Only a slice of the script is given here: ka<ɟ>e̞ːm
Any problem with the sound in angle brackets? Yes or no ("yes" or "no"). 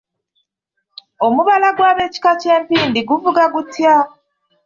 yes